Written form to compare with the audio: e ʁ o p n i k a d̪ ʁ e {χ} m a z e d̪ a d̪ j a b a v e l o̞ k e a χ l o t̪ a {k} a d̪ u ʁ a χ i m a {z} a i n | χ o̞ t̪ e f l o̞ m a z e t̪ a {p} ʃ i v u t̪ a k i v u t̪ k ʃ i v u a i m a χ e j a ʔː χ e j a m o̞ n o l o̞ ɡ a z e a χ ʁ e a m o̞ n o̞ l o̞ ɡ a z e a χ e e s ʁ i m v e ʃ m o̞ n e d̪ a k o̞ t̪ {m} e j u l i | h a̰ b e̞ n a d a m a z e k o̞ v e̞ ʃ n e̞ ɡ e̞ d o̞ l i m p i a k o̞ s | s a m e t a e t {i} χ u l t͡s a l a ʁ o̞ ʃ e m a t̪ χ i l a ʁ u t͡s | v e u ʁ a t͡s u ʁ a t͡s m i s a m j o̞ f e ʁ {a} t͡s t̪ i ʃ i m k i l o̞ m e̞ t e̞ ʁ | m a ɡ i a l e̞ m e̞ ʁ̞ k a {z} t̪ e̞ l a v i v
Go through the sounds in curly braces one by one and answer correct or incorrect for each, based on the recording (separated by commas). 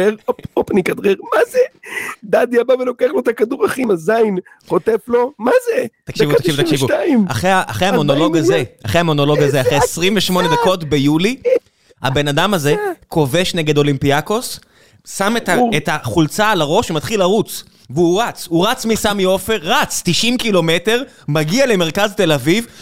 incorrect, correct, correct, incorrect, incorrect, incorrect, correct, correct